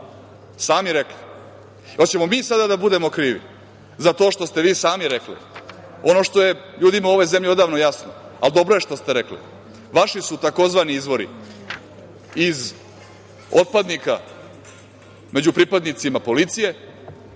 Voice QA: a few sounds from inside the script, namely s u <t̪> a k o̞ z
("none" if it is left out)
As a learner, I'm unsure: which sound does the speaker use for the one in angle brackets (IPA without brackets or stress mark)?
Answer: t̪